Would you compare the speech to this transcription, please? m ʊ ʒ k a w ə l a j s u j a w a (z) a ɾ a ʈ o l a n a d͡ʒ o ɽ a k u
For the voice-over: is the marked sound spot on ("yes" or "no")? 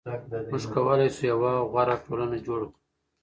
no